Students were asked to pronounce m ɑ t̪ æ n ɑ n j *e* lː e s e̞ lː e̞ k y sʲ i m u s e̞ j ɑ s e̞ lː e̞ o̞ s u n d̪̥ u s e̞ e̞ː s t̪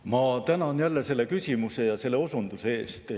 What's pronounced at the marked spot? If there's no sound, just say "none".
æ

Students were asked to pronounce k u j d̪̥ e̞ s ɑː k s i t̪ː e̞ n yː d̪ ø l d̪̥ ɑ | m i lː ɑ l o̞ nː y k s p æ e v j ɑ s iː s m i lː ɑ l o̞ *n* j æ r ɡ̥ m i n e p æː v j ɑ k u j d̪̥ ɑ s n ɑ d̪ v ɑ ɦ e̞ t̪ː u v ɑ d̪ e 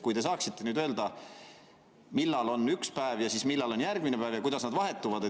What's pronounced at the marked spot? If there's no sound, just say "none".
n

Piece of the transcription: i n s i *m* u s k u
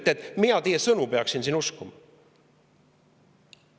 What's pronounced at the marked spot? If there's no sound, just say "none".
n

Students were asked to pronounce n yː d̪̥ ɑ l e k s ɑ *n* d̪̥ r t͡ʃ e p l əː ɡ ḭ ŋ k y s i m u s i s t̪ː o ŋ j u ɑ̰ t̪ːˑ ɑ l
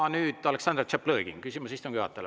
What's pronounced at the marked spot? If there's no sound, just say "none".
n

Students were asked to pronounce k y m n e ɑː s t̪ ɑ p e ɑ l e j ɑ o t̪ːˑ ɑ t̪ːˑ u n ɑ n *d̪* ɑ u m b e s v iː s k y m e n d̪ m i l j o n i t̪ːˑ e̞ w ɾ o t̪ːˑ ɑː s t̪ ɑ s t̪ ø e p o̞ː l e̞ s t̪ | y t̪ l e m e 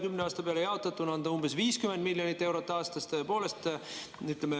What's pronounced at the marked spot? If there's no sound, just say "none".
d̪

